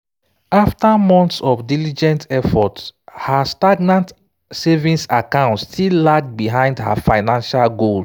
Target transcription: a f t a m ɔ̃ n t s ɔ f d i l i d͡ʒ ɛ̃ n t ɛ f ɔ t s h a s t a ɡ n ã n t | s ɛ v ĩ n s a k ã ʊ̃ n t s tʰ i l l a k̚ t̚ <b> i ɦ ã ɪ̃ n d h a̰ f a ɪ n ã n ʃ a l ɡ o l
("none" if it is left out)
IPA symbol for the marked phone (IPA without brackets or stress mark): b